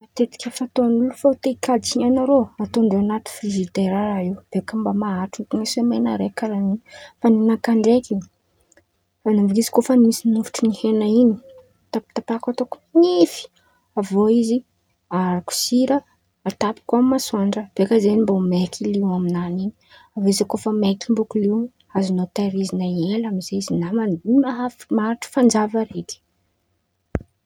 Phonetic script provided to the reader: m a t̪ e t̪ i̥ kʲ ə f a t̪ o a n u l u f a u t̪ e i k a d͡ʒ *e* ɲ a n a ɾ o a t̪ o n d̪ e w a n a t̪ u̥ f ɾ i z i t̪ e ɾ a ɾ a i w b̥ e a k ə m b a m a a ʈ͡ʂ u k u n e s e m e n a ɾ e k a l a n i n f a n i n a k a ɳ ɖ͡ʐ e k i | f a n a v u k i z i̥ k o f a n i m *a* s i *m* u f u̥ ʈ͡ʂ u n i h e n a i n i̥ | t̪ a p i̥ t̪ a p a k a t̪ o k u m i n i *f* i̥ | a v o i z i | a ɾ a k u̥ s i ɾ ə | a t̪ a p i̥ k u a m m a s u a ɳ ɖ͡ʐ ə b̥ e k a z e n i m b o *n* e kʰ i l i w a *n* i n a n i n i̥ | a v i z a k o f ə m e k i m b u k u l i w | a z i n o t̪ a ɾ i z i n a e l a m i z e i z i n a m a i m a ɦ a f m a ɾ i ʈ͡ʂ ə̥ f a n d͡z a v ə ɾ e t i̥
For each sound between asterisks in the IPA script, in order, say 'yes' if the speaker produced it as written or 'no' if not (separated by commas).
no, no, no, yes, no, no